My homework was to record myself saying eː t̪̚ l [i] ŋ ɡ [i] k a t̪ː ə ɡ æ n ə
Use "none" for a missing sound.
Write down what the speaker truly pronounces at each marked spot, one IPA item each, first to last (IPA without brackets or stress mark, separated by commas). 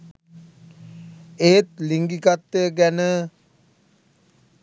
i, i